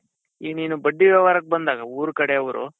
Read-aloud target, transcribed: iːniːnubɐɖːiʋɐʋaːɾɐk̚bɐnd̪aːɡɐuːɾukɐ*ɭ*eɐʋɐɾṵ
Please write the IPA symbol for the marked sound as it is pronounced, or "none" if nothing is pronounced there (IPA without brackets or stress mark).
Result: ɽ